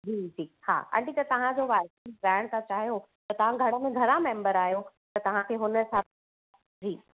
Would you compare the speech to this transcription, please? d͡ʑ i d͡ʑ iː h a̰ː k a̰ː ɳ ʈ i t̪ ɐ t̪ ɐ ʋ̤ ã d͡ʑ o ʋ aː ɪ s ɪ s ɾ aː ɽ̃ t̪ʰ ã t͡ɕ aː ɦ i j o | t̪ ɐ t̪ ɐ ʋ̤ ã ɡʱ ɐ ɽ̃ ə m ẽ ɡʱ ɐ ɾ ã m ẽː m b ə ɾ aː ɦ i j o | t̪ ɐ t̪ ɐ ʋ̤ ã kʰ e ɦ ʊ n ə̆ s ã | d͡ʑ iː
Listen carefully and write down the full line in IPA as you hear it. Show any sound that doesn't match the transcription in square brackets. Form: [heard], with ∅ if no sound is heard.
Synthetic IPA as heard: d͡ʑ [iː] d͡ʑ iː h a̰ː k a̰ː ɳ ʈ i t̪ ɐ t̪ ɐ ʋ̤ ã d͡ʑ o ʋ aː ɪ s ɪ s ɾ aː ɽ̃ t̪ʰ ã t͡ɕ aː ɦ i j o | t̪ ɐ t̪ ɐ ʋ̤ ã ɡʱ ɐ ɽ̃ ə m ẽ ɡʱ ɐ ɾ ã m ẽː m b ə ɾ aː ɦ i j o | t̪ ɐ t̪ ɐ ʋ̤ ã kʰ e ɦ ʊ n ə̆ s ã | d͡ʑ iː